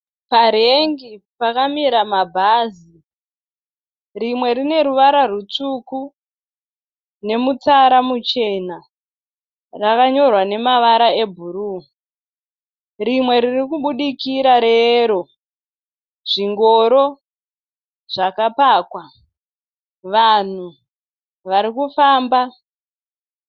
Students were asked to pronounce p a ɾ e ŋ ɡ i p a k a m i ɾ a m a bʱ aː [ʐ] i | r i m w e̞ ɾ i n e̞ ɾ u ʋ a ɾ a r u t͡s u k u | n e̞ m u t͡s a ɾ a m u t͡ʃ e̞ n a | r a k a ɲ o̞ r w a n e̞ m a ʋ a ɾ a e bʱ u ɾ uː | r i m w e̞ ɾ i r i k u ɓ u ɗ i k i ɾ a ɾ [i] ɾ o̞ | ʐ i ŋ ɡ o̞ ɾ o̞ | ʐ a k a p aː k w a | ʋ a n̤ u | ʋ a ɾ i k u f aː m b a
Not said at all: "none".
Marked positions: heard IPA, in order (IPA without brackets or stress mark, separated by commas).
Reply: z, e